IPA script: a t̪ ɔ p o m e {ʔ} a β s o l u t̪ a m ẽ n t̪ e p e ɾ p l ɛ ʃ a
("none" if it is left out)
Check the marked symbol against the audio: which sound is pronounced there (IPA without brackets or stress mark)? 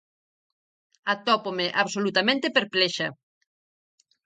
ʔ